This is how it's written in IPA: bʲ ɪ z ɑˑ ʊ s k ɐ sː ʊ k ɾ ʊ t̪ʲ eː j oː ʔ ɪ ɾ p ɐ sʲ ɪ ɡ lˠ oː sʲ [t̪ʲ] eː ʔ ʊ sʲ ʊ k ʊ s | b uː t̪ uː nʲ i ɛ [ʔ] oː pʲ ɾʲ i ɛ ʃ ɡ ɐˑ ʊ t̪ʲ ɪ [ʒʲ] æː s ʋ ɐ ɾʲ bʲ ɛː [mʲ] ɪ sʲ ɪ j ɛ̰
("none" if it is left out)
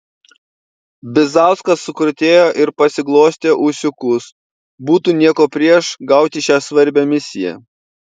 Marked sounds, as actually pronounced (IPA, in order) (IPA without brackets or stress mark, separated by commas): t̪ʲ, k, ʃʲ, mʲ